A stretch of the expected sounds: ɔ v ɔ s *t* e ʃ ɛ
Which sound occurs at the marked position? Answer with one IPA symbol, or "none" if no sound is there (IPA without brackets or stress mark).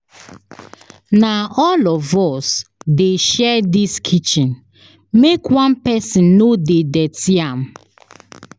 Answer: d